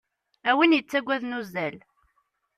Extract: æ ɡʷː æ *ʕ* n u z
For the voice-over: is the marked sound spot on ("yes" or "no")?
no